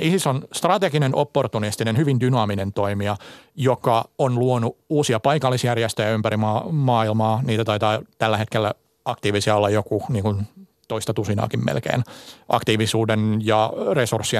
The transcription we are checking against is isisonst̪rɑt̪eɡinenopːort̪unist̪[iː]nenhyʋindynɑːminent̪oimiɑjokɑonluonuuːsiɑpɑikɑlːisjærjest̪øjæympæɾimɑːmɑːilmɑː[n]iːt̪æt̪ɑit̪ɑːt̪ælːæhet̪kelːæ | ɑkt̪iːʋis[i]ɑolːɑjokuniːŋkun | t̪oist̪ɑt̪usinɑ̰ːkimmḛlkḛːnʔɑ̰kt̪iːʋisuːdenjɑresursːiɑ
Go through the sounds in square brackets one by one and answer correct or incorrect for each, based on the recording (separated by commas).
incorrect, correct, correct